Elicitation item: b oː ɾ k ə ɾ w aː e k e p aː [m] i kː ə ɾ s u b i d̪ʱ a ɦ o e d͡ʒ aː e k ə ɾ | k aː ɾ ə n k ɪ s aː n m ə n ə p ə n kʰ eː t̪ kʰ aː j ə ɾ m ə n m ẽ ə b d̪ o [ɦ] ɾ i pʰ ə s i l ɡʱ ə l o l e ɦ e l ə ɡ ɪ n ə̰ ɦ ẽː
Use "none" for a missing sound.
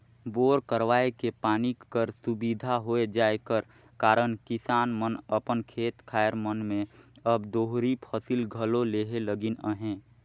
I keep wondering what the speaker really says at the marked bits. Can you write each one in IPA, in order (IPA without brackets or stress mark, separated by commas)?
n, ɦ